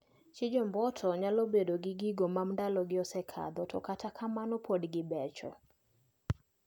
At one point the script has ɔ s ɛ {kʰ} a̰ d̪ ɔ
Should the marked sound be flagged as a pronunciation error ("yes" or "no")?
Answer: no